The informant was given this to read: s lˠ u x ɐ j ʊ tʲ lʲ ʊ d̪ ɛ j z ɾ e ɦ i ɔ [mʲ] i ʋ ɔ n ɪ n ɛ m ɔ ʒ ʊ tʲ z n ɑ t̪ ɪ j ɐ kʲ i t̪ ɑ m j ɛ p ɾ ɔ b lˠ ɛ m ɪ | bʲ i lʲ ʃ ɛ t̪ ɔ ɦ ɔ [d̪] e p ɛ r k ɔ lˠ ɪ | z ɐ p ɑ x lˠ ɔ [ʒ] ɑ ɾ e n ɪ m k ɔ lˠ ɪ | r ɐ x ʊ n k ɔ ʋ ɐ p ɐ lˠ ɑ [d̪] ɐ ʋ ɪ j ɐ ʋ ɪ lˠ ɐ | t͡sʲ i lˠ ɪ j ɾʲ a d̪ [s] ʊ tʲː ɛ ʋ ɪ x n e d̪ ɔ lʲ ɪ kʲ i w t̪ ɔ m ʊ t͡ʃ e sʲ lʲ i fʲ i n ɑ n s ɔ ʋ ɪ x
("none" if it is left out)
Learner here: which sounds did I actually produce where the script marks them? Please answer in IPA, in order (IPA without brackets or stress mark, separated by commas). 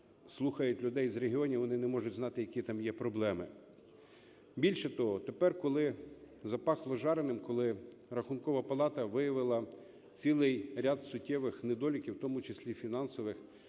nʲ, t̪, ʒ, t̪, s